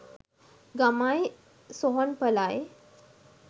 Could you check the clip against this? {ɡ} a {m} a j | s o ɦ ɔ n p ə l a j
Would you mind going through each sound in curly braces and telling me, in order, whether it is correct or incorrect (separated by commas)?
correct, correct